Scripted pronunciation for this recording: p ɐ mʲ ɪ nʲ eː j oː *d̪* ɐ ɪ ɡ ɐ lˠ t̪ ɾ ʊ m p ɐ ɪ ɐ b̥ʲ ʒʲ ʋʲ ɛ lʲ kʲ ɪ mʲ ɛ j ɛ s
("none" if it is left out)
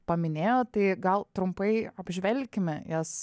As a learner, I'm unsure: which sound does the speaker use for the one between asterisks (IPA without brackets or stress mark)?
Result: t̪